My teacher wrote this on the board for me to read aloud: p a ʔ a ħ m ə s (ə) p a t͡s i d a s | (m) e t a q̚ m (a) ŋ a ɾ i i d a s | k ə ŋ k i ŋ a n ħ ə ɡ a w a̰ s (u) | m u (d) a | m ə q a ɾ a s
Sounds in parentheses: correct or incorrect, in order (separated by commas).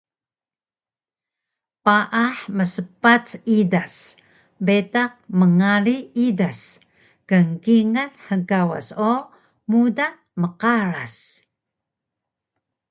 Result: correct, incorrect, incorrect, incorrect, correct